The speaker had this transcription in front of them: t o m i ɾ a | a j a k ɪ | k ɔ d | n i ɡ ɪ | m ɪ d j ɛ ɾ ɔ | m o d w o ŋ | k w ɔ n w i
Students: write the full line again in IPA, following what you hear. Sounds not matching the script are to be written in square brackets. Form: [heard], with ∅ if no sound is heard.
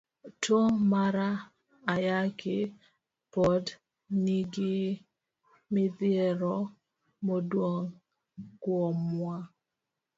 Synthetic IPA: t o m [a] ɾ a | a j a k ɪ | [p] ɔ d | n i ɡ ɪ | m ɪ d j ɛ ɾ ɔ | m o d w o ŋ | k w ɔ [m] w [a]